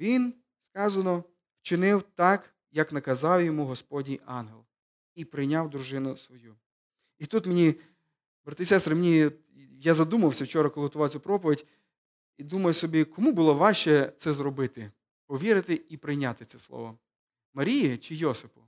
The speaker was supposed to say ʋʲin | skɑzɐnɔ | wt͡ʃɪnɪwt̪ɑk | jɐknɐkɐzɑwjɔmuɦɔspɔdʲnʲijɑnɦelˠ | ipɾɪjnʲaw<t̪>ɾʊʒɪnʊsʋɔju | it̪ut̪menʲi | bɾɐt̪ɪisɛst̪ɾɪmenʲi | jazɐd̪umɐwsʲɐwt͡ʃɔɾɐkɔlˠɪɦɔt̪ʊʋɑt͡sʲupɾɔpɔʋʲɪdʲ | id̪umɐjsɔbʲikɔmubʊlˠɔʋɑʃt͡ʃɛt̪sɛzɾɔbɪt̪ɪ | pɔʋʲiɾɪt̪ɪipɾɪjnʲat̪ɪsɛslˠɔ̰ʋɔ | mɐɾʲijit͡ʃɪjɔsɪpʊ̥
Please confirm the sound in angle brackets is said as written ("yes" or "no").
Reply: no